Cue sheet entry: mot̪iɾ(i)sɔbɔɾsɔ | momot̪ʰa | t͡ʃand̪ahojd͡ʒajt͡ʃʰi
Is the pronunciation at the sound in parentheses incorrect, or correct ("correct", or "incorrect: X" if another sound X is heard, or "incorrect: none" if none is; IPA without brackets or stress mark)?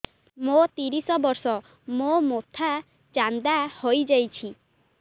correct